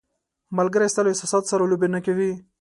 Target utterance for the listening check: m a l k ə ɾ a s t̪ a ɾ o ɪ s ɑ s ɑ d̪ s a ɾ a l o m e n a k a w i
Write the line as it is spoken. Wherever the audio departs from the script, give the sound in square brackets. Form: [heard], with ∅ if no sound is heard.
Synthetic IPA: m a l [ɡ] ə ɾ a s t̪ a [l] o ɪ s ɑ s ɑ [t̪] s a ɾ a l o [b] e n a k a w i